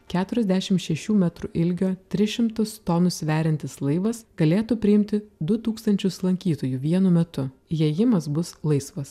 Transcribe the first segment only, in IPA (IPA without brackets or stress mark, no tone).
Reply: kʲ